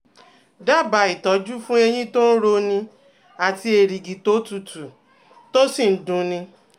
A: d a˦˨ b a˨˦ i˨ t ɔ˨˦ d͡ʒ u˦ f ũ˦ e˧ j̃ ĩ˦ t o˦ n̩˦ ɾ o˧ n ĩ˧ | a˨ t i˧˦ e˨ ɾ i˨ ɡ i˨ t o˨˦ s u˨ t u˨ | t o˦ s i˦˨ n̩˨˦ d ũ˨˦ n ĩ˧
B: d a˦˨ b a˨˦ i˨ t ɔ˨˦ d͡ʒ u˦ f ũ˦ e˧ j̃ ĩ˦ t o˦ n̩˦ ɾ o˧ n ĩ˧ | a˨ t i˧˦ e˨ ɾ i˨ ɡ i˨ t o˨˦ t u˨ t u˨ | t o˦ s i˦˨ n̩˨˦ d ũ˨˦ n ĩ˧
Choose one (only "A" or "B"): B